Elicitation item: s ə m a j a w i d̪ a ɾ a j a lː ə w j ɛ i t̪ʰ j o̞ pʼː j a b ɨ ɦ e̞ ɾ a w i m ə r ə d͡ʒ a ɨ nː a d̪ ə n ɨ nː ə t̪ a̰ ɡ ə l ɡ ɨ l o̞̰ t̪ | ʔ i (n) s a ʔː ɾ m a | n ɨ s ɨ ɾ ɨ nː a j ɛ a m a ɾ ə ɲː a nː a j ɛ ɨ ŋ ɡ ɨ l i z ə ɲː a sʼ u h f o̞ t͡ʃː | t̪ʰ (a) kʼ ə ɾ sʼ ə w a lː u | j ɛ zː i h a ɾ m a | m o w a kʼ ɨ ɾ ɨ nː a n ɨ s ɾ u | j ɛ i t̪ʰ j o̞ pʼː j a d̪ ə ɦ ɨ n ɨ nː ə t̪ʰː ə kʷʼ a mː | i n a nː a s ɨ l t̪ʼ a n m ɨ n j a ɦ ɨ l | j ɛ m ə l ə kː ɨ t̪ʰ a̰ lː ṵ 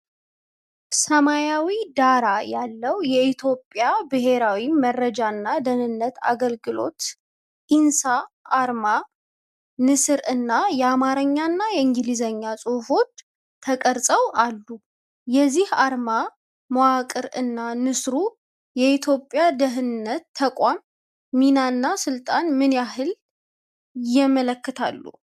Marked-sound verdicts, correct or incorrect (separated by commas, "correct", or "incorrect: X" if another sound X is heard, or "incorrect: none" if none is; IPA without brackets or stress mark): correct, incorrect: ə